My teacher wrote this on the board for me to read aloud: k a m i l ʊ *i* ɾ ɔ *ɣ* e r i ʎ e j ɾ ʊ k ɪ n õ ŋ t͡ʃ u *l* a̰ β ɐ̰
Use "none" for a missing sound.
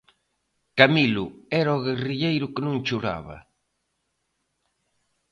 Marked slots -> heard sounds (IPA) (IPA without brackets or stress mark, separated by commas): ɛ, ɣ, ɾ